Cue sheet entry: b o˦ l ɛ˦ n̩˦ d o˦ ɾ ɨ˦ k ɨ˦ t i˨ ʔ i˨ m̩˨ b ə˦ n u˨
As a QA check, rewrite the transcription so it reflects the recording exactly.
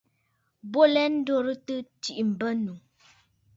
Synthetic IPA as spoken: b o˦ l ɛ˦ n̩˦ d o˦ ɾ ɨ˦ t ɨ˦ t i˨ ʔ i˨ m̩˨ b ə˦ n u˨